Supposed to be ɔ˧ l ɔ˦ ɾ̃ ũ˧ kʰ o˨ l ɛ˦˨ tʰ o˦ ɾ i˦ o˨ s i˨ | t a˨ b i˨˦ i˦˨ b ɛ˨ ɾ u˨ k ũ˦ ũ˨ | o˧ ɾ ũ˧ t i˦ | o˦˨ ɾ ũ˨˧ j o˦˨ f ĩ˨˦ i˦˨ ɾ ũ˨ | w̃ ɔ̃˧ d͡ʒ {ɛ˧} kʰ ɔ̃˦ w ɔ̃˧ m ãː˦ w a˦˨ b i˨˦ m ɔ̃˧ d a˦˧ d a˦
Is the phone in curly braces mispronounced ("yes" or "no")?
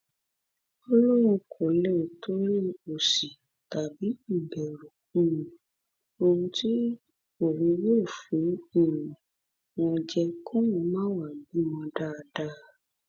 no